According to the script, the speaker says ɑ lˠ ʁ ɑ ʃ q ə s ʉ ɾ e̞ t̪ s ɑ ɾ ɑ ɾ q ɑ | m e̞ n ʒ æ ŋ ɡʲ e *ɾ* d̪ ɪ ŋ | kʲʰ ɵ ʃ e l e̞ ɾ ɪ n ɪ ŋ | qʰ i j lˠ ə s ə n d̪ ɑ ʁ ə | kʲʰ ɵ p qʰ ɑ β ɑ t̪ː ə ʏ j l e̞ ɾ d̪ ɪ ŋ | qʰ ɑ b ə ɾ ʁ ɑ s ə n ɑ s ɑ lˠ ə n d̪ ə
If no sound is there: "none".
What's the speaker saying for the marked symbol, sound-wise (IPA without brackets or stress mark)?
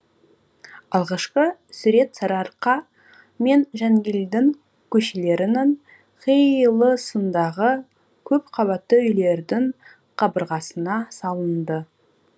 l